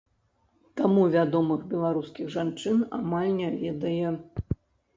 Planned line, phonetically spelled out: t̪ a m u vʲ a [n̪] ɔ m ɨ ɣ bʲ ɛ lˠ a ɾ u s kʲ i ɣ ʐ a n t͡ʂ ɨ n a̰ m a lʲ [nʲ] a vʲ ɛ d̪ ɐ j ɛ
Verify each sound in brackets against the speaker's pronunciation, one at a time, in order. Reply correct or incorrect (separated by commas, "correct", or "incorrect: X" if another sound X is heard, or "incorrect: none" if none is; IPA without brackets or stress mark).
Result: incorrect: d̪, correct